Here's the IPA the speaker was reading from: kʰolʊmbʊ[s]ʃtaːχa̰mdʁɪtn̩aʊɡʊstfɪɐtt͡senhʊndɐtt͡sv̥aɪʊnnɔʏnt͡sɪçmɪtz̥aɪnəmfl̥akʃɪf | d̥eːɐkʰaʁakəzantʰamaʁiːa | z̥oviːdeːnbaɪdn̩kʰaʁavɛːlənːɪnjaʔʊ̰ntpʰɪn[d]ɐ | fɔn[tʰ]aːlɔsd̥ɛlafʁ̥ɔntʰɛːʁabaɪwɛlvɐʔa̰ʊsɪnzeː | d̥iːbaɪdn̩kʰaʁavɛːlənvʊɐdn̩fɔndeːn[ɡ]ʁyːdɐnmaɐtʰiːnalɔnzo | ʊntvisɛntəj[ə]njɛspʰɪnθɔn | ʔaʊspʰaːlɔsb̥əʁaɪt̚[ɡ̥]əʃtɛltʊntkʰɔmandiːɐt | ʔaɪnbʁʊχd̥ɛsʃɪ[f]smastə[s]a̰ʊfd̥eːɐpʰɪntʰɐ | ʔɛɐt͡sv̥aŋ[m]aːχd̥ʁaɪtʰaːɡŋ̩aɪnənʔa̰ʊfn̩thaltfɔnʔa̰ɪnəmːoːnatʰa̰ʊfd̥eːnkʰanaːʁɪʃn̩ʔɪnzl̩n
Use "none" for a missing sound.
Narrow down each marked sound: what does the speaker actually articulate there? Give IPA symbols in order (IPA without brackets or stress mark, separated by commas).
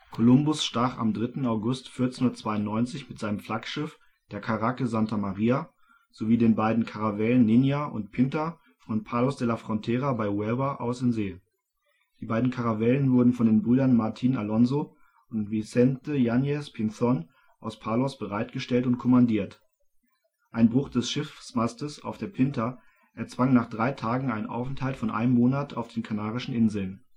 s, t, pʰ, b, a, ɡ̥, f, s, n